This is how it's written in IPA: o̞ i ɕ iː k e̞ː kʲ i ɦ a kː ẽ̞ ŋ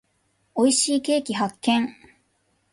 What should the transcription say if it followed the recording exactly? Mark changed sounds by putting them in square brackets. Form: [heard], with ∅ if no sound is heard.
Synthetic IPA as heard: o̞ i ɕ iː k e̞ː kʲ i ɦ a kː ẽ̞ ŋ